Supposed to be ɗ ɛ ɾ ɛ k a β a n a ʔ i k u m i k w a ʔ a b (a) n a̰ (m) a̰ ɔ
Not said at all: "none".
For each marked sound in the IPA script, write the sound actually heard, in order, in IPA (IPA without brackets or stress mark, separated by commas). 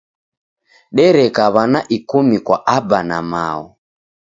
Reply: a, m